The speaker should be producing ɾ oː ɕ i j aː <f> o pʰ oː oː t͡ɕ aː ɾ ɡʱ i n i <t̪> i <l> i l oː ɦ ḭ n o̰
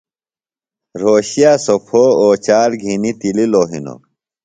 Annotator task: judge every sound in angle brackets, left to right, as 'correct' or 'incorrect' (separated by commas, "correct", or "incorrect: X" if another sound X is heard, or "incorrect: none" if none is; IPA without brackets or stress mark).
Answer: incorrect: s, correct, correct